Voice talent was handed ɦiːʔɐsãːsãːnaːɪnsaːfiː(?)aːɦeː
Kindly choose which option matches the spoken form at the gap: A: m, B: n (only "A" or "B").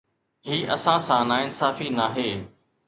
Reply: B